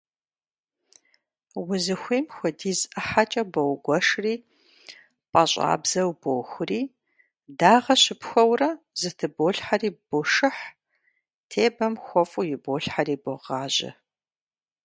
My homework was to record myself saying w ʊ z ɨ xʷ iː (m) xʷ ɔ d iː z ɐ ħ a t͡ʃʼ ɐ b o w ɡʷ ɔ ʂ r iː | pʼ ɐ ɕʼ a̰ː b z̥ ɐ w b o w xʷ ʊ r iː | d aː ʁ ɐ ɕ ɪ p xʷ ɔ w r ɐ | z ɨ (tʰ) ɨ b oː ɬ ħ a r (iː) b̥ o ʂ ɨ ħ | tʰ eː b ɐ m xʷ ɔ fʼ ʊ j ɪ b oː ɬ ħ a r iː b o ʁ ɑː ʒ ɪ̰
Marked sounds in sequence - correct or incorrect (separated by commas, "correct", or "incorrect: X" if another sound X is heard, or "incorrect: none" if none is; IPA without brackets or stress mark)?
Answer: correct, correct, correct